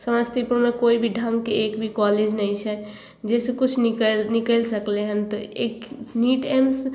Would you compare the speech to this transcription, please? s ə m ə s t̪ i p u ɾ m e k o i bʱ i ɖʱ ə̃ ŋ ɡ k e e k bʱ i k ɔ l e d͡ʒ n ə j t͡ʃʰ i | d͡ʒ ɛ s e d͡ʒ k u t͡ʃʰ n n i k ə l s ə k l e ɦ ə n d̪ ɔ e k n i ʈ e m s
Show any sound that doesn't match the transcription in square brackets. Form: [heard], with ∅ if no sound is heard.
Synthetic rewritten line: s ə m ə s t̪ i p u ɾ m e k o i bʱ i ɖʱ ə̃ ŋ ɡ k e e k bʱ i k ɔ l e d͡ʒ n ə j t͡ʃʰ [ɛ] | d͡ʒ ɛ s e [∅] k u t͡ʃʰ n n i k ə l s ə k l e ɦ ə n [t̪] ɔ e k n i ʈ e m s

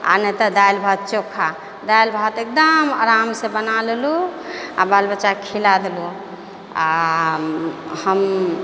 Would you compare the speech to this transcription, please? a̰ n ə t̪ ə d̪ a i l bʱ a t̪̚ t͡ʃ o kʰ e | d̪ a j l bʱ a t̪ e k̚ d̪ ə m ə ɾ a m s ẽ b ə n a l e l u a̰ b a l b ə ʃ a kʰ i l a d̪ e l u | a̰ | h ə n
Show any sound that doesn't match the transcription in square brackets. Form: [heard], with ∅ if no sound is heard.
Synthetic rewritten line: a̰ n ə t̪ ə d̪ a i l bʱ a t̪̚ t͡ʃ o kʰ [a] | d̪ a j l bʱ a t̪ e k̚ d̪ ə m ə ɾ a m s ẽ b ə n a l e l u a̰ b a l b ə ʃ a kʰ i l a d̪ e l u | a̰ | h ə [m]

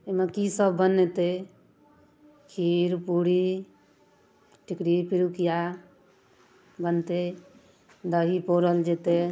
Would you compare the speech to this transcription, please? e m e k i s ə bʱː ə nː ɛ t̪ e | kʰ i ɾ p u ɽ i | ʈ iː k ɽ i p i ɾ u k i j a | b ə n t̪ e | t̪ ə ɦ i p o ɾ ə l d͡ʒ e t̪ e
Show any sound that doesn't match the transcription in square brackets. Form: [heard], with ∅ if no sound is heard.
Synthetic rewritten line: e m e k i s ə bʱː ə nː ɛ t̪ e | kʰ i ɾ p u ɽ i | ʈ [i] k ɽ i p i ɾ u k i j a | b ə n t̪ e | [d̪] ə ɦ i p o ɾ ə l d͡ʒ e t̪ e

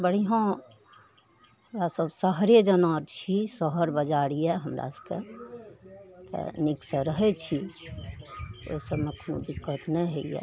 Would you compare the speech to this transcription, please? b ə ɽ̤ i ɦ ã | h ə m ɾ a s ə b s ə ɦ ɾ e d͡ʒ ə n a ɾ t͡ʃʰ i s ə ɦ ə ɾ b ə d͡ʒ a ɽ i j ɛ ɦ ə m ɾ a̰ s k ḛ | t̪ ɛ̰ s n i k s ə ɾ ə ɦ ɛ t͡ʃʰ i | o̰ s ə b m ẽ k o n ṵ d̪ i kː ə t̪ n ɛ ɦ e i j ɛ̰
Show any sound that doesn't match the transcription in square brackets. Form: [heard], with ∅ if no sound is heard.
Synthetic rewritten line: b ə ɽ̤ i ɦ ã | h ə m ɾ a s ə b s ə ɦ ɾ e d͡ʒ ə n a ɾ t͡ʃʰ i s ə ɦ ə ɾ b ə d͡ʒ a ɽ i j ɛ ɦ ə m ɾ a̰ s k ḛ | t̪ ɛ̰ [∅] n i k s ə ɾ ə ɦ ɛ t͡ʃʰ i | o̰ s ə b m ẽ k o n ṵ d̪ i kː ə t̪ n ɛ ɦ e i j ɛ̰

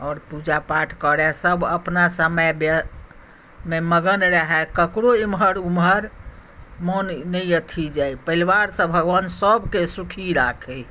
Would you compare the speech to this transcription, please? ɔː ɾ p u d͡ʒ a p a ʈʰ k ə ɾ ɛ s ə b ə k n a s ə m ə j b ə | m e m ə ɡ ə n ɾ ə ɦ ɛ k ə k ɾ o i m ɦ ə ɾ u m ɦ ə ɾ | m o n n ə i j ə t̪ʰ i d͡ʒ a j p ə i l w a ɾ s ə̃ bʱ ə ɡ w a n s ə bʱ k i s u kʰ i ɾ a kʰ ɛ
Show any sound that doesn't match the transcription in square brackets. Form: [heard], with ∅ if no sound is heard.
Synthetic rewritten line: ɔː ɾ p u d͡ʒ a p a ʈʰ k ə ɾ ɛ s ə b ə [p] n a s ə m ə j b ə | m e m ə ɡ ə n ɾ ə ɦ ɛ k ə k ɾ o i m ɦ ə ɾ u m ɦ ə ɾ | m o n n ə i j ə t̪ʰ i d͡ʒ a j p ə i l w a ɾ s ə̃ bʱ ə ɡ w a n s ə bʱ k [e] s u kʰ i ɾ a kʰ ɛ

